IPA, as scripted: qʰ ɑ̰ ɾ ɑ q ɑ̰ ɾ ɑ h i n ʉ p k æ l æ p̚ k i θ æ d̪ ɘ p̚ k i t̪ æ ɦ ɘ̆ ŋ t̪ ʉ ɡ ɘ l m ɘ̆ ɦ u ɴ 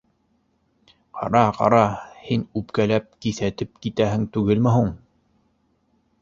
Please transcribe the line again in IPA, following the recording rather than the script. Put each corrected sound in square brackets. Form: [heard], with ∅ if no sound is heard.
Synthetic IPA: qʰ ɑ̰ ɾ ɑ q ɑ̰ ɾ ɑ h i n ʉ p k æ l æ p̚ k i θ æ [t̪] ɘ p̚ k i t̪ æ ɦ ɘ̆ ŋ t̪ ʉ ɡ ɘ l m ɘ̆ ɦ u ɴ